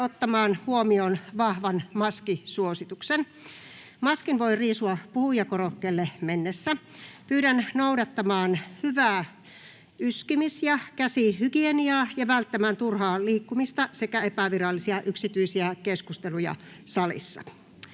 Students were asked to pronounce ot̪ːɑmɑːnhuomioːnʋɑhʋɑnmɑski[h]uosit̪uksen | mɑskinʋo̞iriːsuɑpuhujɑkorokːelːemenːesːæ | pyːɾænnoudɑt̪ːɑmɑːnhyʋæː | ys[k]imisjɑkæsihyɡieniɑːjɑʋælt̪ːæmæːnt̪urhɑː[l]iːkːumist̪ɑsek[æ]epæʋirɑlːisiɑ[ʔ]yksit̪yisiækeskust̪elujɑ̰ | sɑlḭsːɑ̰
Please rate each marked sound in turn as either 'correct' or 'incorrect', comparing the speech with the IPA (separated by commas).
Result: incorrect, correct, correct, correct, correct